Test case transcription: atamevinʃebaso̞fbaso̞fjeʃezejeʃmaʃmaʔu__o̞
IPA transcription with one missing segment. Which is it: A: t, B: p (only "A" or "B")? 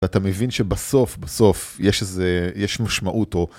A